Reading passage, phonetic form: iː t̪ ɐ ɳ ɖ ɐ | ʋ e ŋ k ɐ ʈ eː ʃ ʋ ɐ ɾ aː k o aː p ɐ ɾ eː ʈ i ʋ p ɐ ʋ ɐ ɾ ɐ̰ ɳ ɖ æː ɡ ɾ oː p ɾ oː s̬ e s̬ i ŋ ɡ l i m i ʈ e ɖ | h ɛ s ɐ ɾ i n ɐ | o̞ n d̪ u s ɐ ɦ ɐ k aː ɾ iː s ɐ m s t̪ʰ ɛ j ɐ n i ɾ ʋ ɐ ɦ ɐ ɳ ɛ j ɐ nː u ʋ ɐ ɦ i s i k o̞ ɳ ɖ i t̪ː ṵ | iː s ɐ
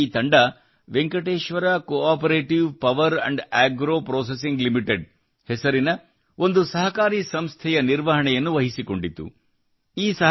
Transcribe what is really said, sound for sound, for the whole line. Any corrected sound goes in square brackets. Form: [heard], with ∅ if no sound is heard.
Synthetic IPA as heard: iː t̪ ɐ ɳ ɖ ɐ | ʋ e ŋ k ɐ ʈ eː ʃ ʋ ɐ ɾ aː k o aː p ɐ ɾ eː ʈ i ʋ p ɐ ʋ ɐ ɾ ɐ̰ ɳ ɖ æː ɡ ɾ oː p ɾ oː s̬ e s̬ i ŋ ɡ l i m i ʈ e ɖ | h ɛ s ɐ ɾ i n ɐ | o̞ n d̪ u s ɐ ɦ ɐ k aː ɾ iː s ɐ m s t̪ʰ ɛ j ɐ n i ɾ ʋ ɐ ɦ ɐ ɳ ɛ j ɐ nː u ʋ ɐ ɦ i s i k o̞ ɳ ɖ i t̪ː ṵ | iː s ɐ